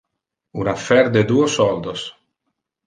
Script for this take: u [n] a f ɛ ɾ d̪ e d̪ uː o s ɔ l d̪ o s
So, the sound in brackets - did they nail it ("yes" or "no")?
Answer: yes